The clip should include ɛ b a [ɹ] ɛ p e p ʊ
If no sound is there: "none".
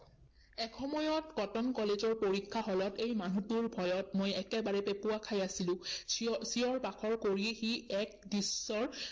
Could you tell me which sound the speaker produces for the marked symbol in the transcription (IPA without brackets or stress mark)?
ɹ